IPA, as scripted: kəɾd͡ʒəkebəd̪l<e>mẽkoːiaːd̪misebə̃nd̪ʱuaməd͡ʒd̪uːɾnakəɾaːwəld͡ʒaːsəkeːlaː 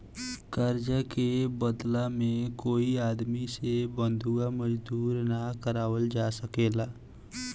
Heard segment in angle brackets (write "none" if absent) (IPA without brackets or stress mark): a